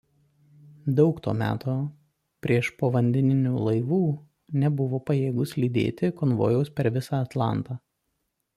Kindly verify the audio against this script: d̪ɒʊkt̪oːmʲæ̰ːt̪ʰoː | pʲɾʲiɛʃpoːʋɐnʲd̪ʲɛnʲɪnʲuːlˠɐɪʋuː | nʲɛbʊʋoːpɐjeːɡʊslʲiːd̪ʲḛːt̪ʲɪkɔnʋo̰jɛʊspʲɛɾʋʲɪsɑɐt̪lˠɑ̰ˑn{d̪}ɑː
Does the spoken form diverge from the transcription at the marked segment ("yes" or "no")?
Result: yes